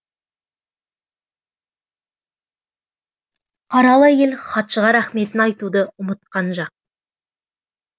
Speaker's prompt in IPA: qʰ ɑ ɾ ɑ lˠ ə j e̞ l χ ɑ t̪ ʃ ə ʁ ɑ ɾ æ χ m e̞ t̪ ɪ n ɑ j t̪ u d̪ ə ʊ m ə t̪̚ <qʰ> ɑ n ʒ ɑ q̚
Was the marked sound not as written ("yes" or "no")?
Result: yes